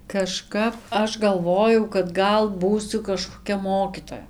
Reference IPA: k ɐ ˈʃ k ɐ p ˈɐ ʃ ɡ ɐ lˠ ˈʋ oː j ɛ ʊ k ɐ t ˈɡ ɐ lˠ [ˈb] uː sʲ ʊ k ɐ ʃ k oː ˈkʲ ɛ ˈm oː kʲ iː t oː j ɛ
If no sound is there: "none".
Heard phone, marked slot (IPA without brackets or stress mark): b